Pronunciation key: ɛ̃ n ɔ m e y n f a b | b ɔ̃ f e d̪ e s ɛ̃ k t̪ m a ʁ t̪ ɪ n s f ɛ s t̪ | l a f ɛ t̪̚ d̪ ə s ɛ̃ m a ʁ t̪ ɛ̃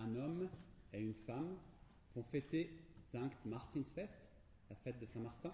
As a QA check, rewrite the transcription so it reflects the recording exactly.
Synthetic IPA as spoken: ɛ̃ n ɔ m e y n f a m | v ɔ̃ f e t̪ e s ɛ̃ k t̪ m a ʁ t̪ i n s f ɛ s t̪ | l a f ɛ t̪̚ d̪ ə s ɛ̃ m a ʁ t̪ ɛ̃